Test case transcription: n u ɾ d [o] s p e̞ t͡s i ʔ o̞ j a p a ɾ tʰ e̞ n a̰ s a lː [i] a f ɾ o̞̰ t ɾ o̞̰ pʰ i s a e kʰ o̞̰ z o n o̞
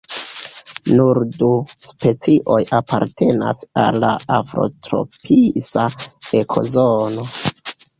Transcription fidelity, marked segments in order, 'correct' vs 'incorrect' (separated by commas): incorrect, incorrect